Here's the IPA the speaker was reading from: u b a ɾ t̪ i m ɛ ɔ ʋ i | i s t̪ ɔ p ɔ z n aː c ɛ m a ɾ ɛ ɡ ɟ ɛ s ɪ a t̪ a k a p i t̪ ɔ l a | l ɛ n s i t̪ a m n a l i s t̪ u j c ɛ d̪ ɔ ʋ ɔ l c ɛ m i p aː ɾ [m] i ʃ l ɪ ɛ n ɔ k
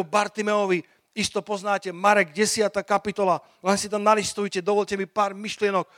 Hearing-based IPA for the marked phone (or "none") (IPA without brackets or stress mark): m